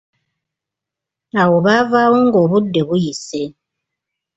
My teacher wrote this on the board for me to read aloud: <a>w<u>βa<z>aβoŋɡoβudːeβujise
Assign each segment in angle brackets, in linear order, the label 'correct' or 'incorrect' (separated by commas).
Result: correct, incorrect, incorrect